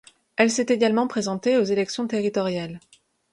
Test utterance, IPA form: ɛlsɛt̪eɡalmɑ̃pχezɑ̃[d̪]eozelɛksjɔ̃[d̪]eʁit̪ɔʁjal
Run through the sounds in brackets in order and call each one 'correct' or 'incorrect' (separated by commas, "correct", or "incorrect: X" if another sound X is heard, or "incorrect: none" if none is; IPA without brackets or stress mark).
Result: incorrect: t̪, incorrect: t̪